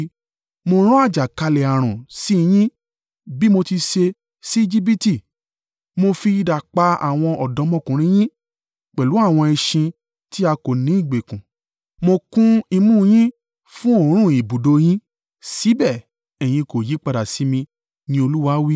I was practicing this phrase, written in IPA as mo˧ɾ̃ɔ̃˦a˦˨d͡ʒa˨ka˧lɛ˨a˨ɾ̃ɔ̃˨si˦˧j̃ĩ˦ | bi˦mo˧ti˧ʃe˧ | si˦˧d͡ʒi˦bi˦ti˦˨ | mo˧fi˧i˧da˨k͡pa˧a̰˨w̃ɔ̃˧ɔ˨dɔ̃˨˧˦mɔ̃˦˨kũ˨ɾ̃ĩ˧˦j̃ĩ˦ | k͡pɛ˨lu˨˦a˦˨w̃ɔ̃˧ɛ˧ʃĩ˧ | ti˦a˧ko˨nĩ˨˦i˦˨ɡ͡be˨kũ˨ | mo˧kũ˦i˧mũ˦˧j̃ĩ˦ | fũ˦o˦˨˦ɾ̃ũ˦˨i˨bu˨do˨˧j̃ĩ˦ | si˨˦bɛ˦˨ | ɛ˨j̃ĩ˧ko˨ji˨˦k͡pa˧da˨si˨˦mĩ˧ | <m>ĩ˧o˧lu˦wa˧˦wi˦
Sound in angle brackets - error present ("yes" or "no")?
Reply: yes